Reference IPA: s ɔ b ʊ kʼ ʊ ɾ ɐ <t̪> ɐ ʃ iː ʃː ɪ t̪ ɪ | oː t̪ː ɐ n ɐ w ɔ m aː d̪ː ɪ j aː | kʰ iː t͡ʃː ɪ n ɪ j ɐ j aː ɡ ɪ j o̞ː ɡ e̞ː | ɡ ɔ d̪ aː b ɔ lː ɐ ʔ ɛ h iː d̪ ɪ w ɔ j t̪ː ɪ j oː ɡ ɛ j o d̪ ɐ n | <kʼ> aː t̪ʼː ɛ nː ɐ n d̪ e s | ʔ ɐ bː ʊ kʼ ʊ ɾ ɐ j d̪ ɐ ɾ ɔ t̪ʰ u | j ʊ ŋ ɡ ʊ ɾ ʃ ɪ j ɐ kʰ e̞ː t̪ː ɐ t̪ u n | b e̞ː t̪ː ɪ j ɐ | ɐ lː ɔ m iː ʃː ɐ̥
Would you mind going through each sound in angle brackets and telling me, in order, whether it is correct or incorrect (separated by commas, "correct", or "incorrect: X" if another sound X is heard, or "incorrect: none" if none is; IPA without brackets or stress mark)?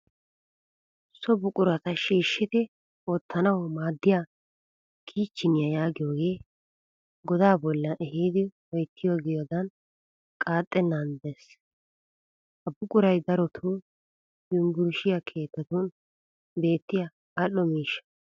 correct, correct